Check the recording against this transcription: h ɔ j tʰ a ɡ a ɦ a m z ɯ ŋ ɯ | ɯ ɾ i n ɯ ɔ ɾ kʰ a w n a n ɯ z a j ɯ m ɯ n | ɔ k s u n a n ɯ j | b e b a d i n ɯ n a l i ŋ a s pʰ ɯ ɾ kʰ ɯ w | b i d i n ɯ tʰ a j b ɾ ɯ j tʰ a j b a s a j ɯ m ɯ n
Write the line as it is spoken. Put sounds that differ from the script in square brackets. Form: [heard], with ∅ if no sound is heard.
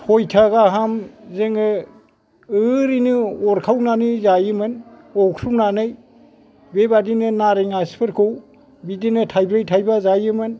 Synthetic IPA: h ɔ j tʰ a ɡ a ɦ a m z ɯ ŋ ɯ | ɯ ɾ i n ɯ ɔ ɾ kʰ a w n a n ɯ z a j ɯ m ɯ n | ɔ k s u n a n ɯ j | b e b a d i n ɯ n a [ɾ] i ŋ a s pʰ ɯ ɾ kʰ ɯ w | b i d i n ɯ tʰ a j b ɾ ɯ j tʰ a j b a [z] a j ɯ m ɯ n